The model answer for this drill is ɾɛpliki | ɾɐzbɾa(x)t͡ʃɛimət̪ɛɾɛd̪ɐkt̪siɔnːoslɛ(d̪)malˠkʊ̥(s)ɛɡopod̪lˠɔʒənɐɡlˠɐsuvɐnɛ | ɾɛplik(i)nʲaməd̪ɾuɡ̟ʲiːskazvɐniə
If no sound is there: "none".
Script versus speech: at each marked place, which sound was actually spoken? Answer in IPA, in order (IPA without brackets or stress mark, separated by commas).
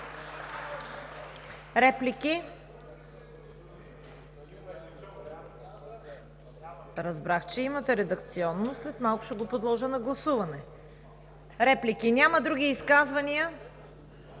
x, t̪, ʃ, i